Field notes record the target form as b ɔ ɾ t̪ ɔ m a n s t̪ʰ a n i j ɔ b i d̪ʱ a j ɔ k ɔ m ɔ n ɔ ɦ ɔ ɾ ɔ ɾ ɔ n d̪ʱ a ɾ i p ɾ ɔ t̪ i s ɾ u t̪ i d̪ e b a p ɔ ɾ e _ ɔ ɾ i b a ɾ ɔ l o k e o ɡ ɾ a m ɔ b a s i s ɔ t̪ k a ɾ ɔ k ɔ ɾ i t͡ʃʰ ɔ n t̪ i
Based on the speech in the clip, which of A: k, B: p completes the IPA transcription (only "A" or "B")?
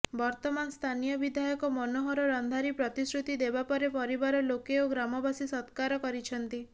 B